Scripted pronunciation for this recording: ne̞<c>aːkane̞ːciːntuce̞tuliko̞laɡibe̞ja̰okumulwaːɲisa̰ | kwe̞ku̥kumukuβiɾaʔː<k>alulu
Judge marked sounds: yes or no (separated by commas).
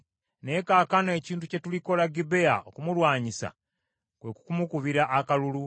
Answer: no, yes